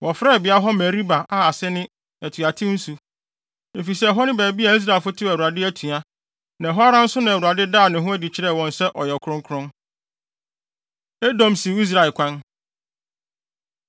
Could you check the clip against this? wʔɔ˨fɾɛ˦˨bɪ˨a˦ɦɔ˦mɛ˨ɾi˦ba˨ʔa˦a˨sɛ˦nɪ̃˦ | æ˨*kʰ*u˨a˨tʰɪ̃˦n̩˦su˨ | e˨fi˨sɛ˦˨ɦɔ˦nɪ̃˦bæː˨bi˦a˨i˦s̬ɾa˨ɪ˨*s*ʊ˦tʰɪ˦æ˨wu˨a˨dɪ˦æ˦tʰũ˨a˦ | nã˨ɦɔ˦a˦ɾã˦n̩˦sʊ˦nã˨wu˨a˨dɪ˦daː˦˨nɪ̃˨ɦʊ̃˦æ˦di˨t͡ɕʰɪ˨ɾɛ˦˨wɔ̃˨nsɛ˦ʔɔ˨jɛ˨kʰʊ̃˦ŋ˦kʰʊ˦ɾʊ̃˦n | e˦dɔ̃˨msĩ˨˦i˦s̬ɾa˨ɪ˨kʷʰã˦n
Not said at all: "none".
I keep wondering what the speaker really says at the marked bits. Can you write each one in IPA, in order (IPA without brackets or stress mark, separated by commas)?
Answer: tʰ, f